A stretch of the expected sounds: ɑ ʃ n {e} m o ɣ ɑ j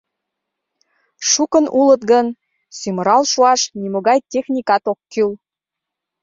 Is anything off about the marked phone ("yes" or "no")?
yes